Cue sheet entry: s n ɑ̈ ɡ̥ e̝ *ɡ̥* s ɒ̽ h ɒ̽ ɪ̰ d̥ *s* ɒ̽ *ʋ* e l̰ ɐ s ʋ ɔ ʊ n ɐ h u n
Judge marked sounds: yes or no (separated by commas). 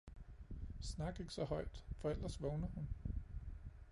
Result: yes, no, no